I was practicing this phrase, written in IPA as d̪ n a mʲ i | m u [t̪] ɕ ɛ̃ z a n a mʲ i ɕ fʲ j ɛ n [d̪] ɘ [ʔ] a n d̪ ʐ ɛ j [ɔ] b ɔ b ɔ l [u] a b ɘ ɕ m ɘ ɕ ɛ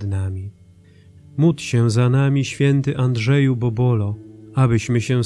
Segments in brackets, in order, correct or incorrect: correct, incorrect: t̪, correct, incorrect: u, incorrect: ɔ

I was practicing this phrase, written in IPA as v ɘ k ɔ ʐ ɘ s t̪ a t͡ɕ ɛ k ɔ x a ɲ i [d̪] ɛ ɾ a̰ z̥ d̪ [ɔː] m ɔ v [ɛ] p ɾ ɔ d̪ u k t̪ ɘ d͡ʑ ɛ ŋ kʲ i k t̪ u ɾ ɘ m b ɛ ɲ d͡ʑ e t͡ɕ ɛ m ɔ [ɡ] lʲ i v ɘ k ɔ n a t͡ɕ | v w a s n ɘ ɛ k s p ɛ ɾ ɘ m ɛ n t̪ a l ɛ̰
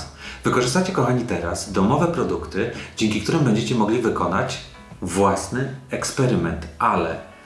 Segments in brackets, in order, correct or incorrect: incorrect: t̪, incorrect: ɔ, correct, correct

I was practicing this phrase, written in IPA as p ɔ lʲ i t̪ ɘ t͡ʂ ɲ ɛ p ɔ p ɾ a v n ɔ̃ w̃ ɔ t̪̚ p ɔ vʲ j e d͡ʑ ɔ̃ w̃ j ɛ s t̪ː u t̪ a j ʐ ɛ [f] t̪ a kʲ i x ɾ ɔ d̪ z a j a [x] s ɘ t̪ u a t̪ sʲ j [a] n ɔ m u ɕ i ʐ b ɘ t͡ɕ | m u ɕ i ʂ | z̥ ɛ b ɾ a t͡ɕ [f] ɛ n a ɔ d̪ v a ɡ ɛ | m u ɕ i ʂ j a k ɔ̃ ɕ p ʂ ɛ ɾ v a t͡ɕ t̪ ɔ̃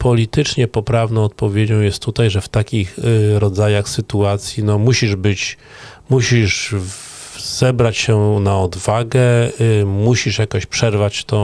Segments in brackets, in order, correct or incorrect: correct, correct, incorrect: i, incorrect: ɕ

